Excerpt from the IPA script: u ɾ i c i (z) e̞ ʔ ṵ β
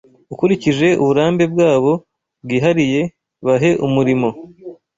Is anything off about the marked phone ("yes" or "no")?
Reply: yes